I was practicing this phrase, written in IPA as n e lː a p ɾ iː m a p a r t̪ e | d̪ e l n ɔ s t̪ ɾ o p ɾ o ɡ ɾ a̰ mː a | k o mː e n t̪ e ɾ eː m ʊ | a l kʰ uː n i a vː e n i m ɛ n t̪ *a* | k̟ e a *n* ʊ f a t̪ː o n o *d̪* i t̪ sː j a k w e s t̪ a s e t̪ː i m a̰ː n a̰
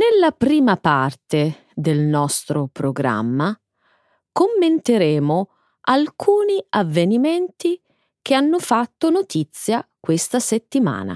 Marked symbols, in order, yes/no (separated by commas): no, no, no